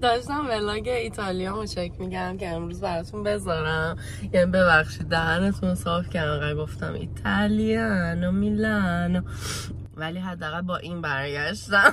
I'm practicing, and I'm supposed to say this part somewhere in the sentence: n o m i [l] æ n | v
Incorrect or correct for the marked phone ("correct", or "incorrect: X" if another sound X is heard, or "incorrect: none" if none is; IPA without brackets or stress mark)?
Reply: correct